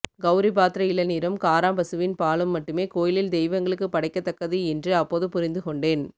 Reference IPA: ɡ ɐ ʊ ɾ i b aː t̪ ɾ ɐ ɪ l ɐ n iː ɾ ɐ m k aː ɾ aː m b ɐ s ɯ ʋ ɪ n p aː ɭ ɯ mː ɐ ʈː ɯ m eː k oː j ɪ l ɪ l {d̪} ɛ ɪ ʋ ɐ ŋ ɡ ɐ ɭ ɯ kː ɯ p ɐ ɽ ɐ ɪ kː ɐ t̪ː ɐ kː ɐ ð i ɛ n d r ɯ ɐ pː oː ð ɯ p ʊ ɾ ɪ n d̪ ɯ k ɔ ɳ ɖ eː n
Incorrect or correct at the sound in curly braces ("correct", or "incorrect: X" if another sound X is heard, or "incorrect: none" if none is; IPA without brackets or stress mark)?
correct